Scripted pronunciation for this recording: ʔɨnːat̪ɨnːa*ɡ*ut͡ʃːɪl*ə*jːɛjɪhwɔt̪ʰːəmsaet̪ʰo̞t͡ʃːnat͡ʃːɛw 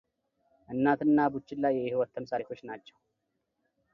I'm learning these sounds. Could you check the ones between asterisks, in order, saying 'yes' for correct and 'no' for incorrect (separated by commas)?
no, no